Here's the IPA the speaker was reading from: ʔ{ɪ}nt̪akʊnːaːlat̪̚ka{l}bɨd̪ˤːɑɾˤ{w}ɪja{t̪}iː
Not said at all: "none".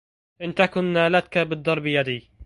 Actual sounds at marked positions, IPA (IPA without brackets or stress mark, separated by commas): ɪ, none, b, d̪